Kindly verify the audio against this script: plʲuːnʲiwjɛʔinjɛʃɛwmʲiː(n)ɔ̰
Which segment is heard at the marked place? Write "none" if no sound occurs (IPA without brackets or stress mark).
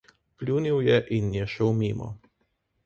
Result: m